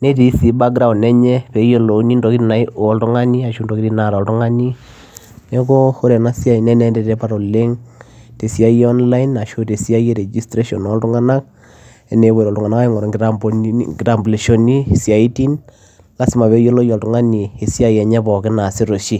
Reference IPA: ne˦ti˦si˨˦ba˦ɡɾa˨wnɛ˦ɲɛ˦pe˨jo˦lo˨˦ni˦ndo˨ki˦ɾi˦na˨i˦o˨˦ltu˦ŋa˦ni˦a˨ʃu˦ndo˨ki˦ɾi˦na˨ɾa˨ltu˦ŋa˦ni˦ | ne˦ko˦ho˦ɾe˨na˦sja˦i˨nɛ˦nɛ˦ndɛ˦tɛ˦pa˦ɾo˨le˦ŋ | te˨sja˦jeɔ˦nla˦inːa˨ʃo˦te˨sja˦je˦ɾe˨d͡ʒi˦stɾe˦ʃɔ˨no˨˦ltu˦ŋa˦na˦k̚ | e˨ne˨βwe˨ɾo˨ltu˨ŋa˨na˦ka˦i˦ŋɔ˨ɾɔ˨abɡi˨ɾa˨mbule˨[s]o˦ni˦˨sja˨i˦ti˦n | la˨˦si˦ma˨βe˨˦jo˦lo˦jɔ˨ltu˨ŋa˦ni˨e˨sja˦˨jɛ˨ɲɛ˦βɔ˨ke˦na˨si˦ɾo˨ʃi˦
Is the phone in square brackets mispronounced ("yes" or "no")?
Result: yes